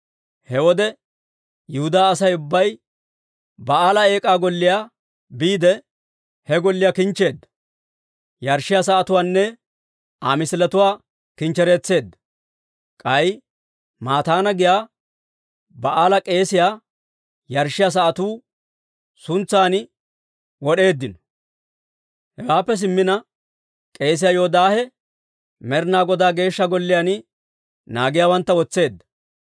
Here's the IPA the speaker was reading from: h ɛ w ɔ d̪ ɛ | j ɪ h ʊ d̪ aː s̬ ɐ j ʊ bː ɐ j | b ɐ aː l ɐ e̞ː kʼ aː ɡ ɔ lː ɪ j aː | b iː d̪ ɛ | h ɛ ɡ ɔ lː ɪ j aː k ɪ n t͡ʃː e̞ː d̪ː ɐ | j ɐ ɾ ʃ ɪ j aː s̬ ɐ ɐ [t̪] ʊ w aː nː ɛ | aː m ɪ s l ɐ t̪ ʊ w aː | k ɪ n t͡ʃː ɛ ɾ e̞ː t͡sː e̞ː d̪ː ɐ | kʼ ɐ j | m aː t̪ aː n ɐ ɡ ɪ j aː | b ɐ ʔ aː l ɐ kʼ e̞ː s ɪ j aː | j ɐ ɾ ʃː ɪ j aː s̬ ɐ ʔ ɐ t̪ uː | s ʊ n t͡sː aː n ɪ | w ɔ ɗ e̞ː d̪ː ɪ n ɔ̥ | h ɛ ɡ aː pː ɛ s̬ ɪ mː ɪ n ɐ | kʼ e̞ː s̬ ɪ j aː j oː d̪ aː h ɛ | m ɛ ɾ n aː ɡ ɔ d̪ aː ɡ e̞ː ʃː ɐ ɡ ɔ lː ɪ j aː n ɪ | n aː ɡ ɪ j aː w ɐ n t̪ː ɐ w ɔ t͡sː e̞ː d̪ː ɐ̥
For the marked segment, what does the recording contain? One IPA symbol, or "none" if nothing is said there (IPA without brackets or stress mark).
t̪